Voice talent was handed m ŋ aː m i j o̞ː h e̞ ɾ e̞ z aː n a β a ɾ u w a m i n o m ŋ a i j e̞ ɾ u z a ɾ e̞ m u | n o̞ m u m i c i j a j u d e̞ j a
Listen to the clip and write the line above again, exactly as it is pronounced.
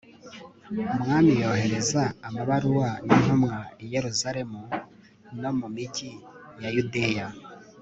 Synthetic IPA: m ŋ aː m i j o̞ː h e̞ ɾ e̞ z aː m a β a ɾ u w a n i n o m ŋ a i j e̞ ɾ u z a ɾ e̞ m u | n o̞ m u m i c i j a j u d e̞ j a